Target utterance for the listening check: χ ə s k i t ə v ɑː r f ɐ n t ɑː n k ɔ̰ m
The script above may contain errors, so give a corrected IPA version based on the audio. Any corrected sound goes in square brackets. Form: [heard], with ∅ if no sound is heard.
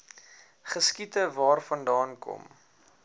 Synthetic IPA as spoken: χ ə s k i t ə v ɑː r f ɐ n [d] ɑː n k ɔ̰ m